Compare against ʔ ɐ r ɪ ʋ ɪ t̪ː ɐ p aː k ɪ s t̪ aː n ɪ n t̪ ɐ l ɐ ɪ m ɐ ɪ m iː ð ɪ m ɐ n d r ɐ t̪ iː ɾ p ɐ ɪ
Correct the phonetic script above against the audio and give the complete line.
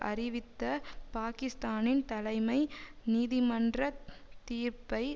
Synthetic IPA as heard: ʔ ɐ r ɪ ʋ ɪ t̪ː ɐ p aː k ɪ s t̪ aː n ɪ n t̪ ɐ l ɐ ɪ m ɐ ɪ n iː ð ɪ m ɐ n d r ɐ t̪ iː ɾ p ɐ ɪ